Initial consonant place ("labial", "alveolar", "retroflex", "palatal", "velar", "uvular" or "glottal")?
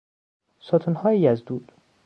alveolar